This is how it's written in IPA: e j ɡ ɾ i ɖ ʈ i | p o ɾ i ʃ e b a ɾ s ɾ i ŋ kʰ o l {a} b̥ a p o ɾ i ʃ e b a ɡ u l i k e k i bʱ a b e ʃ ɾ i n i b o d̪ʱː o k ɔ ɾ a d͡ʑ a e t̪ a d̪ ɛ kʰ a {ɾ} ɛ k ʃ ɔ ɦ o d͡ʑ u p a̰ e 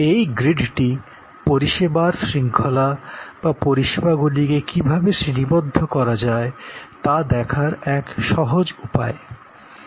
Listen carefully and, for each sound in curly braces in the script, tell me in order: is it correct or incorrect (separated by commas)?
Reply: correct, correct